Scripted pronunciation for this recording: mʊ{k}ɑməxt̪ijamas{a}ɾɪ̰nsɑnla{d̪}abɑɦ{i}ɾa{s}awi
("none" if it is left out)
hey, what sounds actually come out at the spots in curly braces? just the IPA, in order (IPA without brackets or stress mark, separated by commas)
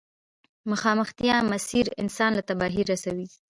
x, i, t̪, i, s